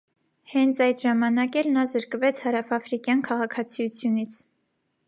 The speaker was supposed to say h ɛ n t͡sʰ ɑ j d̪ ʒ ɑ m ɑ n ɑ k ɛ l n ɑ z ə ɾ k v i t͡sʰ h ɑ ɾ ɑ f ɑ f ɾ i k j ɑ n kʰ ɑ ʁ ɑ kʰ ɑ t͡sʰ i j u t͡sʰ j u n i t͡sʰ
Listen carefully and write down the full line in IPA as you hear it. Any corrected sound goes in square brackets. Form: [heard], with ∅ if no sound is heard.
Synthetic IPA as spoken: h ɛ n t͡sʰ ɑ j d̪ ʒ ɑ m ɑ n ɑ k ɛ l n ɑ z ə ɾ k v [ɛ] t͡sʰ h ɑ ɾ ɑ f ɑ f ɾ i k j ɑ n kʰ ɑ ʁ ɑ kʰ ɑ t͡sʰ i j u t͡sʰ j u n i t͡sʰ